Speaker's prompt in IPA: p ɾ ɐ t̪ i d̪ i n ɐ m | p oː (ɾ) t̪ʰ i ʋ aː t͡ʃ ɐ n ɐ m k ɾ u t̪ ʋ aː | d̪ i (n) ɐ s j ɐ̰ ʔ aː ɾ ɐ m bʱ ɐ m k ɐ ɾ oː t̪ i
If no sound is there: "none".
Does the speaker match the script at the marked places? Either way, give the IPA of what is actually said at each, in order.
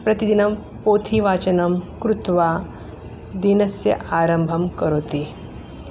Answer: none, n

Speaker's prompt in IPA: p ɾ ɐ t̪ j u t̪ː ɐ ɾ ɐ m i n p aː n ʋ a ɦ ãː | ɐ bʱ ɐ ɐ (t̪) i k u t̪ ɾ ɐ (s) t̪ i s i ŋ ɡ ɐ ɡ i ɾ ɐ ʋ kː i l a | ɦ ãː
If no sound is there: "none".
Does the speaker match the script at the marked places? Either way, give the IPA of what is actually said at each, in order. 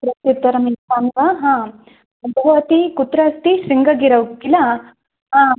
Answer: t̪, s

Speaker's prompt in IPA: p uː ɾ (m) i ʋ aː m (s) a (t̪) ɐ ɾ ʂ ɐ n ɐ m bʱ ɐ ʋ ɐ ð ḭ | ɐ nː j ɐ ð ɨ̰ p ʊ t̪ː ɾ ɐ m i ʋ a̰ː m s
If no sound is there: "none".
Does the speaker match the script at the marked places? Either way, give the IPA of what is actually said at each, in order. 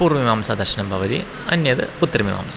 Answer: m, s, d̪

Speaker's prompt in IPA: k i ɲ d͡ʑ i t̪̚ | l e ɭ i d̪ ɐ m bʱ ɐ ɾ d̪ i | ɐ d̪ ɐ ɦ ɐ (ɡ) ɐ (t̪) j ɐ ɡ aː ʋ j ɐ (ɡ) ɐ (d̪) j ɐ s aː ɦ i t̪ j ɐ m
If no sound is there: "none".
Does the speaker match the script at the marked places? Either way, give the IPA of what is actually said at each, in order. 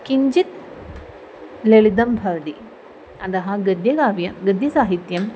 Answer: ɡ, d̪, ɡ, d̪

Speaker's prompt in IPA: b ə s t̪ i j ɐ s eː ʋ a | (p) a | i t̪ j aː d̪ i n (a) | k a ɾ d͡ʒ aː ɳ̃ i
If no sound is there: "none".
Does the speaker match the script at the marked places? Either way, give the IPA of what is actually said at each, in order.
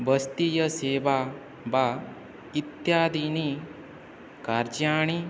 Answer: b, i

